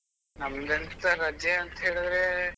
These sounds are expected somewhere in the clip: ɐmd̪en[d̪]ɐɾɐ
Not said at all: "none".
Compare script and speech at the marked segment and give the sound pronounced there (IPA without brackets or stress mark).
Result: t̪